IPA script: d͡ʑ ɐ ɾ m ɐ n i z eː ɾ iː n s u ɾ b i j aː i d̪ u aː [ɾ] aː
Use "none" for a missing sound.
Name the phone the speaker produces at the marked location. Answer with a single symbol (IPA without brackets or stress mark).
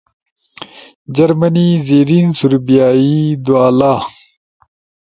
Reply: l